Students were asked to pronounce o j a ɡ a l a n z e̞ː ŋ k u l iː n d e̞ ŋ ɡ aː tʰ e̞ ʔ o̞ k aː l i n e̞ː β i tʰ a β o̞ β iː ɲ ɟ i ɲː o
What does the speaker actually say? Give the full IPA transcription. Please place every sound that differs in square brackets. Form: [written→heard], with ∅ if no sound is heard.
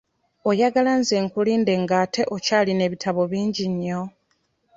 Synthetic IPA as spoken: o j a ɡ a l a n z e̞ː ŋ k u l iː n d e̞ ŋ ɡ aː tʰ e̞ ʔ o̞ [k→c] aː l i n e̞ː β i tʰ a β o̞ β iː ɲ ɟ i ɲː o

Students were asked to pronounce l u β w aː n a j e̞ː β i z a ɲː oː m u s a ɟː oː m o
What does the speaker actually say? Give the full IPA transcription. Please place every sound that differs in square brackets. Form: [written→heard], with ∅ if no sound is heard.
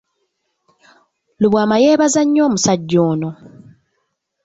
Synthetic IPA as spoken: l u β w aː [n→m] a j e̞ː β [i→a] z a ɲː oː m u s a ɟː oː [m→n] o

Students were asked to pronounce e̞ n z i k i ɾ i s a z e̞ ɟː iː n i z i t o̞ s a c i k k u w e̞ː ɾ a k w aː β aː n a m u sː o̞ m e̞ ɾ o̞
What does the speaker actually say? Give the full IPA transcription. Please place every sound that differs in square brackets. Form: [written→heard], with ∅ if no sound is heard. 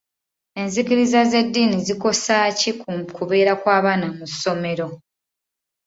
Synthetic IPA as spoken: e̞ n z i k i ɾ i [s→z] a z e̞ [ɟː→dː] iː n i z i [t→k] o̞ s a c i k k u [w→β] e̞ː ɾ a k w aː β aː n a m u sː o̞ m e̞ ɾ o̞

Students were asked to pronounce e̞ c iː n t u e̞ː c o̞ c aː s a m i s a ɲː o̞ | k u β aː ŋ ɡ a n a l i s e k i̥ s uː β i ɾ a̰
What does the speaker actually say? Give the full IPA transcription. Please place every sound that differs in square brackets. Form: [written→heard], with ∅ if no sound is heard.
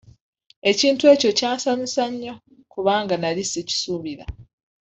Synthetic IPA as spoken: e̞ c iː n t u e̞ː c o̞ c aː s a m i s a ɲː o̞ | k u β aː ŋ ɡ a n a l i s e [k→c] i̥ s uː β i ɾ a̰

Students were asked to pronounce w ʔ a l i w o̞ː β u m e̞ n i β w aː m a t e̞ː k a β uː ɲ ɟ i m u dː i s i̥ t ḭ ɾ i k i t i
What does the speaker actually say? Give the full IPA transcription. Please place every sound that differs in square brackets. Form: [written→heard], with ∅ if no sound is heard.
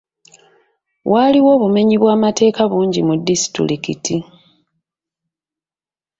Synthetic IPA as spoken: w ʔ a l i w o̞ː β u m e̞ [n→ɲ] i β w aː m a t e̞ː k a β uː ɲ ɟ i m u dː i s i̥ t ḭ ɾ i k i t i

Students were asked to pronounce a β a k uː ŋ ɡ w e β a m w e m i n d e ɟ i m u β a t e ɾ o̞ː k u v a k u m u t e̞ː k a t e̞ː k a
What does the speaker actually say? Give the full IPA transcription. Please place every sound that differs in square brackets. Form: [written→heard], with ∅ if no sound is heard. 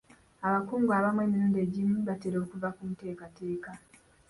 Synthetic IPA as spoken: a β a k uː ŋ ɡ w [e→a] β a m w e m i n d e ɟ i m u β a t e ɾ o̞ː k u v a k u m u t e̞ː k a t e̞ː k a

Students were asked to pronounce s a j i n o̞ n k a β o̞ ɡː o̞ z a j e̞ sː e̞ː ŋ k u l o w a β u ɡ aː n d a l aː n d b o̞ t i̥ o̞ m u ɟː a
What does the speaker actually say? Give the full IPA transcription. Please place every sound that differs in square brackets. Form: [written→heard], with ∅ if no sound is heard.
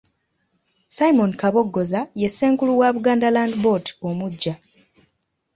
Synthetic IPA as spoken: s a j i [n→m] o̞ n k a β o̞ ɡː o̞ z a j e̞ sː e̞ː ŋ k u l [o→u] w a β u ɡ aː n d a l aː n d b o̞ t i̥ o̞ m u ɟː a

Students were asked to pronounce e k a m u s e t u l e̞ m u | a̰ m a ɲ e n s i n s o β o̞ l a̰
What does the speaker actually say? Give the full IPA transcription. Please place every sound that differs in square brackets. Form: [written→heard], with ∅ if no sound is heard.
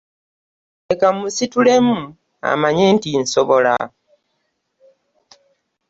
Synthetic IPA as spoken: e k a m u s [e→i] t u l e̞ m u | a̰ m a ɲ e n [s→t] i n s o β o̞ l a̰

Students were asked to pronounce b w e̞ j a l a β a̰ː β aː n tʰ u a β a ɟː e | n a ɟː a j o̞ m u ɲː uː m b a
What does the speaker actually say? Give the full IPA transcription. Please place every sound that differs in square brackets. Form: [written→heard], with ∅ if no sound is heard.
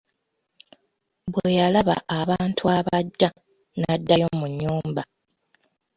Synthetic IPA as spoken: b w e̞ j a l a β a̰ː β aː n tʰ u a β a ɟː [e→a] | n a [ɟː→dː] a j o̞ m u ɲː uː m b a

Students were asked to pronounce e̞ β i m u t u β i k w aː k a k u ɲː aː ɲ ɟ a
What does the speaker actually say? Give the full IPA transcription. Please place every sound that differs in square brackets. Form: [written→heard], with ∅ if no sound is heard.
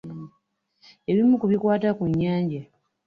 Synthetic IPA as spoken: e̞ β i m u [t→k] u β i k w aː [k→t] a k u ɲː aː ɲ ɟ a

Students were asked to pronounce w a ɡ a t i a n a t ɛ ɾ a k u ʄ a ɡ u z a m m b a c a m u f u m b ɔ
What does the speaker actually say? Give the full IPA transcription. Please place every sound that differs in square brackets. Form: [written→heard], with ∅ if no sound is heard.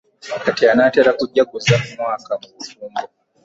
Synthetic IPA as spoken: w a [ɡ→k] a t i a n a t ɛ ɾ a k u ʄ a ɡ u z a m m [b→w] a [c→k] a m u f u m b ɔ

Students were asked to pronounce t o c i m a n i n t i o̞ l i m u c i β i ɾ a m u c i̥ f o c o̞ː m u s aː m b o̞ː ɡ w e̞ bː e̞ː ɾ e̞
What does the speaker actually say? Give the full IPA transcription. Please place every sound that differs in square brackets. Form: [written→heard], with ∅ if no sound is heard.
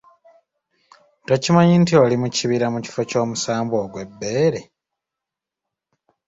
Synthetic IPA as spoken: t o c i m a [n→ɲ] i n t i o̞ l i m u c i β i ɾ a m u c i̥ f o c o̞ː m u s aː m b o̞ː ɡ w e̞ bː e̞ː ɾ e̞

